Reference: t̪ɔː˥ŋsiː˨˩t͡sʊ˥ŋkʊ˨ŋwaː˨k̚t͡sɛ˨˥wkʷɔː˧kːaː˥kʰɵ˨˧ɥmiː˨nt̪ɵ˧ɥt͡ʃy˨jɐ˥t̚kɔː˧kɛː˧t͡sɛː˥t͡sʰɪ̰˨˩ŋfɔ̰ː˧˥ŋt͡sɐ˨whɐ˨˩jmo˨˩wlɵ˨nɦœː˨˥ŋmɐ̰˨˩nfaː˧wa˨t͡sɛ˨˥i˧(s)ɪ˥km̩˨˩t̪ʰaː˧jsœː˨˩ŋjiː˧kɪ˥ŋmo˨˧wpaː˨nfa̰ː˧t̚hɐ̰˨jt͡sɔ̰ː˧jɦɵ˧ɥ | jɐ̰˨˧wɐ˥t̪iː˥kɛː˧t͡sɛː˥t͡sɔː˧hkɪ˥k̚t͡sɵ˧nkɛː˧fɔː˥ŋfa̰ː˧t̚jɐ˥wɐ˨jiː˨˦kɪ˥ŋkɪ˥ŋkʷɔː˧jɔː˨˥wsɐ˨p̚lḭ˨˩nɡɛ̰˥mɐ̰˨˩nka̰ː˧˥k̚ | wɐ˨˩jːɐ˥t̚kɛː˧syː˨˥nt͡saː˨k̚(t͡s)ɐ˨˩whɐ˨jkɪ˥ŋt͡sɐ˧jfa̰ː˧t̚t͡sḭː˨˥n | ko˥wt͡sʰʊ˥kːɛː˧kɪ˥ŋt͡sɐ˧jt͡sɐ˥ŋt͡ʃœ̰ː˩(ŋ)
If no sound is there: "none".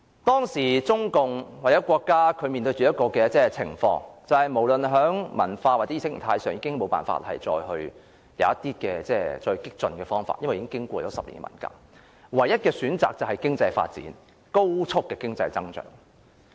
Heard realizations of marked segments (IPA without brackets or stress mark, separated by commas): s, t͡s, ŋ